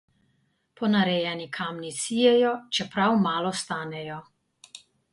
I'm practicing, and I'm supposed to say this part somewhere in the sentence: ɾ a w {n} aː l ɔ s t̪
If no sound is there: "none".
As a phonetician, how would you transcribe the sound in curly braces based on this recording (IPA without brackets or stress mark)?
m